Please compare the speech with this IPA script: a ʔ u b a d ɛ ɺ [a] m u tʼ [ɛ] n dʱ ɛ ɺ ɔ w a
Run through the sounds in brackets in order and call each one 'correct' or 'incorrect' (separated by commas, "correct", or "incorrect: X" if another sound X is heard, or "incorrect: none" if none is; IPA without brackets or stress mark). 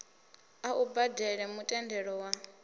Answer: incorrect: ɛ, correct